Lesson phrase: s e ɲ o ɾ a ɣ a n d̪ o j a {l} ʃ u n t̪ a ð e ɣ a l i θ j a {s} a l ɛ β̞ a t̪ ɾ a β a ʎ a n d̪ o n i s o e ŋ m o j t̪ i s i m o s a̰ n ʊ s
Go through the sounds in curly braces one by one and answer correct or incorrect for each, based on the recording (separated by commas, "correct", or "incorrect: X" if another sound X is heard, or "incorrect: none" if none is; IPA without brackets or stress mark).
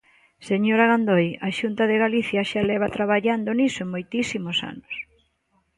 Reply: incorrect: none, incorrect: ʃ